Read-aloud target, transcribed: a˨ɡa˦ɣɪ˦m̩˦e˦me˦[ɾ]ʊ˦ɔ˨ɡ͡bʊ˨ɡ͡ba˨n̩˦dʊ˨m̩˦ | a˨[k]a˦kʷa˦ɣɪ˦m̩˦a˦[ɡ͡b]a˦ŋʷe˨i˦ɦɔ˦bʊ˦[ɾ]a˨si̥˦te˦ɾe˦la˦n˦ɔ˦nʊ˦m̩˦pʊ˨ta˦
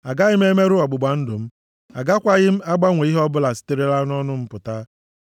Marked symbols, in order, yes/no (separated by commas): yes, no, yes, no